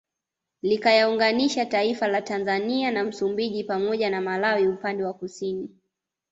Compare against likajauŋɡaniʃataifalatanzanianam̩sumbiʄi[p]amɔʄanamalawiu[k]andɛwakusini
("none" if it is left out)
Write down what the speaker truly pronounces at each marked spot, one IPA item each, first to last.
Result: p, p

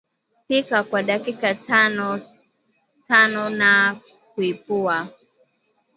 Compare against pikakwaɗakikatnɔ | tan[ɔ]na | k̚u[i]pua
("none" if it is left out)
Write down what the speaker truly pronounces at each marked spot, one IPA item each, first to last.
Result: ɔ, i

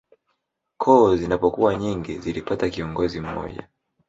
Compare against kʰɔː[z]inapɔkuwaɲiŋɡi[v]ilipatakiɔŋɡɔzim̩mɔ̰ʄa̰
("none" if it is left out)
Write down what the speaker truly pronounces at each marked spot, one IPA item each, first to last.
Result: z, z

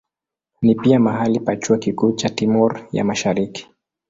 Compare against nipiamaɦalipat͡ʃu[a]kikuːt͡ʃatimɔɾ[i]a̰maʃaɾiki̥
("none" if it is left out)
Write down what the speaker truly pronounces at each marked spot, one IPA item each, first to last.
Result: a, j

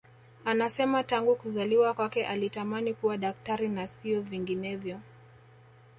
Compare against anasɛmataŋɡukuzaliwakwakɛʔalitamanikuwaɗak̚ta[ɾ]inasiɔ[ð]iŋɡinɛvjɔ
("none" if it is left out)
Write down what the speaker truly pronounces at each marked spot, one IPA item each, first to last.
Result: ɾ, v

